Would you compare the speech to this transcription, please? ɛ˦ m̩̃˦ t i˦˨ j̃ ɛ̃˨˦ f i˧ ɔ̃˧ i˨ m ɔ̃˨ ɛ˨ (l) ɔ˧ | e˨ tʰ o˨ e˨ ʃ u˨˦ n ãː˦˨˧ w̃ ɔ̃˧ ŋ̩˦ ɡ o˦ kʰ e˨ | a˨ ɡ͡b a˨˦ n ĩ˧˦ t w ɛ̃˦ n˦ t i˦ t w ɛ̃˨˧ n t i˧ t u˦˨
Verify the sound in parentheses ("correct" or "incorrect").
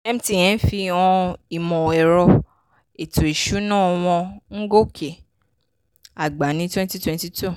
incorrect